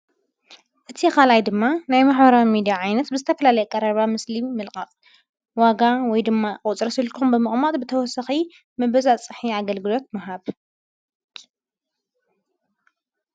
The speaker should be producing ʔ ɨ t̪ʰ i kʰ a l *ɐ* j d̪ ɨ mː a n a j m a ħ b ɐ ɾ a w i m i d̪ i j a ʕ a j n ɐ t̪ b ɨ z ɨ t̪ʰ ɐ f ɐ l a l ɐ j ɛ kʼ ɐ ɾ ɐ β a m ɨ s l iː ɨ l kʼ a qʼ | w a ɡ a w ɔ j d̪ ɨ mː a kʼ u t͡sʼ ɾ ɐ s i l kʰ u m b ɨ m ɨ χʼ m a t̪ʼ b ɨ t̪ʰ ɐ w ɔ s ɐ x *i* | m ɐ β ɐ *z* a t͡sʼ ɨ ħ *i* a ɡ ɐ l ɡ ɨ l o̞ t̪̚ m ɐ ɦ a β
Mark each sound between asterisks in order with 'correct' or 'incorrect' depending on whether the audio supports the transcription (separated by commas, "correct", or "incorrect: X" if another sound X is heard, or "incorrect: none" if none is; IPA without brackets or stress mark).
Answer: incorrect: a, correct, correct, correct